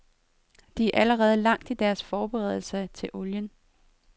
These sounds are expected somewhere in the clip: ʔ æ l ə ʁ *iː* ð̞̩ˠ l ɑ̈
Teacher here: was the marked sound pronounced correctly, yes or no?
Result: no